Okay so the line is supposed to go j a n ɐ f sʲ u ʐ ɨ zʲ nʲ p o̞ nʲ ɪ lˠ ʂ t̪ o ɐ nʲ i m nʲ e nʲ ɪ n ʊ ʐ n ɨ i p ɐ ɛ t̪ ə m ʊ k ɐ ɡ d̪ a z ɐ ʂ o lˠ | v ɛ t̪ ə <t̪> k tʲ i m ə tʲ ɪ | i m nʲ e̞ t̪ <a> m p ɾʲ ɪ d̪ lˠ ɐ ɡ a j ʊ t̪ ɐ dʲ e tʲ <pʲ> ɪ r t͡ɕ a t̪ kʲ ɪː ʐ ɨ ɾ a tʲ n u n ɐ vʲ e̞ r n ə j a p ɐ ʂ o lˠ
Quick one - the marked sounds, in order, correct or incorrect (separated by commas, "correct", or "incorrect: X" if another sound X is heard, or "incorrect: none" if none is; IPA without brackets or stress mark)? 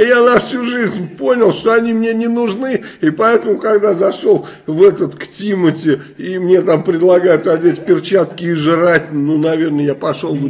correct, correct, correct